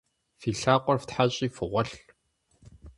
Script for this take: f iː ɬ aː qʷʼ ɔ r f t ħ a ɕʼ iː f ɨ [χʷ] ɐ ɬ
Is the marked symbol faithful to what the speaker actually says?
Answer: no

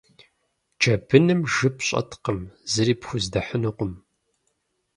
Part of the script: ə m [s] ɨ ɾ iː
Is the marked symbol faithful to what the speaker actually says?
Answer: no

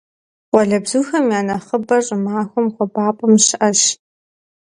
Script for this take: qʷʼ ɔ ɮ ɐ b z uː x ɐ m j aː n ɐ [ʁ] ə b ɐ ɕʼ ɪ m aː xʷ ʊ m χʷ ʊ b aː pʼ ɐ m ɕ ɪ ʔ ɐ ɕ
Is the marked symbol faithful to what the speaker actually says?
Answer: no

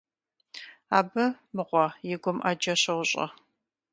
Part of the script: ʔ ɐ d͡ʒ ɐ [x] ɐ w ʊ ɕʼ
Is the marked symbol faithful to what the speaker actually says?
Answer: no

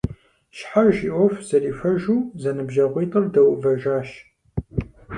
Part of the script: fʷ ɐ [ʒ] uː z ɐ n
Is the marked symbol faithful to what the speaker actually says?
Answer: yes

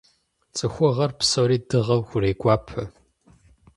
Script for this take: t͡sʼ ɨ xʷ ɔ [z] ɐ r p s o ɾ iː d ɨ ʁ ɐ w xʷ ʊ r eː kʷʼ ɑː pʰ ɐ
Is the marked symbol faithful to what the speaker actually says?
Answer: no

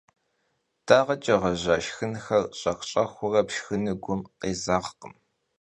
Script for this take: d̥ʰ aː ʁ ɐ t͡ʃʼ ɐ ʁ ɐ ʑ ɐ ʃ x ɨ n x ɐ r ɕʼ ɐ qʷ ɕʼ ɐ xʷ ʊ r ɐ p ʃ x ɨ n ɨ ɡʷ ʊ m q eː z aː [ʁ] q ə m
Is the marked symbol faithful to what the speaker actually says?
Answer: yes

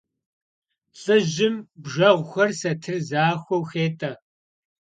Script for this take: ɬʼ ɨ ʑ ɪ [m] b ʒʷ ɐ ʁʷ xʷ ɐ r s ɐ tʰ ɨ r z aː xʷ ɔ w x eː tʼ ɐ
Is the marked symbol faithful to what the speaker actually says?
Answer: yes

